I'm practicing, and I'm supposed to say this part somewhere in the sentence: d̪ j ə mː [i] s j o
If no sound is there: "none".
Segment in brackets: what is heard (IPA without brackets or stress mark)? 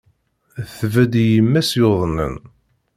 æ